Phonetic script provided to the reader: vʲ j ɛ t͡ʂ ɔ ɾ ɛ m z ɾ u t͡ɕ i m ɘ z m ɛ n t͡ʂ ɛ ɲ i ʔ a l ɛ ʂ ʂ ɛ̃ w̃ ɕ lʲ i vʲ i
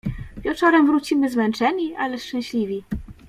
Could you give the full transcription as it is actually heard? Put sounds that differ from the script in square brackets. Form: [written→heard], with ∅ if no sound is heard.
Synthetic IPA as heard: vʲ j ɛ t͡ʂ ɔ ɾ ɛ m [z→v] ɾ u t͡ɕ i m ɘ z m ɛ n t͡ʂ ɛ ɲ i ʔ a l ɛ ʂ [ʂ→t͡ʂ] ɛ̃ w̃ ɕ lʲ i vʲ i